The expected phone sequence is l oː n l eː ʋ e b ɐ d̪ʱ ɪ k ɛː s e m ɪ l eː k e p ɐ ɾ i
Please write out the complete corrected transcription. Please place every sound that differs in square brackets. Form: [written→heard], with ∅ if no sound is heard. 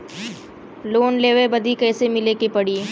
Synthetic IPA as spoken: l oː n l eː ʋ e b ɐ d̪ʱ [ɪ→i] k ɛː s e m ɪ l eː k e p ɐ [ɾ→ɽ] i